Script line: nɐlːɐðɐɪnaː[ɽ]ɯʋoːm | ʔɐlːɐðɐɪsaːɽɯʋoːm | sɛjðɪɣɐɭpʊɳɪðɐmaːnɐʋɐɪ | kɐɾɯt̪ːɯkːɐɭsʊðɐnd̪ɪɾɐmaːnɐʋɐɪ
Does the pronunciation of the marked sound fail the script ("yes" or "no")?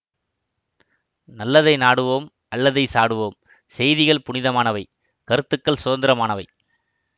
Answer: no